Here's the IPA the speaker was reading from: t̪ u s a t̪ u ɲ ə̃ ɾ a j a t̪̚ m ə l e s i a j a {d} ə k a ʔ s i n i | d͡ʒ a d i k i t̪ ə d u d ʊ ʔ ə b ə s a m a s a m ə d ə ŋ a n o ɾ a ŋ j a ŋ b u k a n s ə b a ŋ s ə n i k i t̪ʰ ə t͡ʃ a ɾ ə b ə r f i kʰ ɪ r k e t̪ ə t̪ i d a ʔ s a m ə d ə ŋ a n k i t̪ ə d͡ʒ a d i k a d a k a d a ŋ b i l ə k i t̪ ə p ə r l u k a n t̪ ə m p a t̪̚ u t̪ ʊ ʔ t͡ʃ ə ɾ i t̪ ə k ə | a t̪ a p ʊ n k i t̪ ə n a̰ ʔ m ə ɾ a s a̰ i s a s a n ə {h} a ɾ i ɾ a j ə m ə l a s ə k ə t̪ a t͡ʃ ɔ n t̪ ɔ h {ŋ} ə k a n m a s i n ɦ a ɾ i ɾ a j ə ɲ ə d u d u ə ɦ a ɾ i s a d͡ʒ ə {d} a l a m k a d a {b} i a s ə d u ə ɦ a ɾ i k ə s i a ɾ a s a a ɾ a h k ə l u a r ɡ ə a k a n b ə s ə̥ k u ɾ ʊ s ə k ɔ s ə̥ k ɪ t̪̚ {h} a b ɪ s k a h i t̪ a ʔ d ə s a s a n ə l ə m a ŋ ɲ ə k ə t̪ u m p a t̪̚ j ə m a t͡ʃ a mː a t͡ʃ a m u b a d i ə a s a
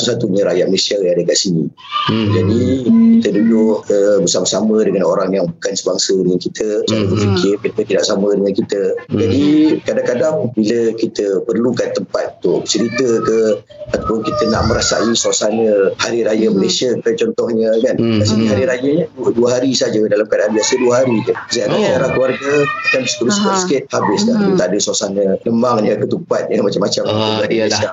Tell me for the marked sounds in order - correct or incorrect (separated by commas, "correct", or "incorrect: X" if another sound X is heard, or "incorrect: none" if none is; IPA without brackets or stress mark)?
correct, correct, incorrect: ɲ, correct, correct, correct